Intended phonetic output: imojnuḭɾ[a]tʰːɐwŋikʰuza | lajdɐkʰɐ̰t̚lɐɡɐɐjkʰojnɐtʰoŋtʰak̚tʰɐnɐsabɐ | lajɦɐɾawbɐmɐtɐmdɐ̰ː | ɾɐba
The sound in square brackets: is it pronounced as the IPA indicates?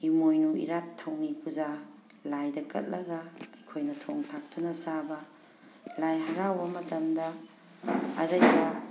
yes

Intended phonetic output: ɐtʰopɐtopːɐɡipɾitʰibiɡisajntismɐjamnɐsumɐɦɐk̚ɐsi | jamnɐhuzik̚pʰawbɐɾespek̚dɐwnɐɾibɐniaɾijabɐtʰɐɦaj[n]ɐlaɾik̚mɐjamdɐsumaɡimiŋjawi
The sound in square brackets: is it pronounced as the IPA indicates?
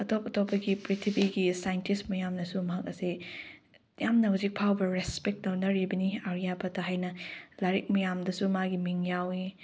yes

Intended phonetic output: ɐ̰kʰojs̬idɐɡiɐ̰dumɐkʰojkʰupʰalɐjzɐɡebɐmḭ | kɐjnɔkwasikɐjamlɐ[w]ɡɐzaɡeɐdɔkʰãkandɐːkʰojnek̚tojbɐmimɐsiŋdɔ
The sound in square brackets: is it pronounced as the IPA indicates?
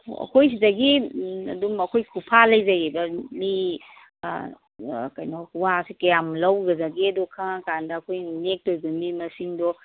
yes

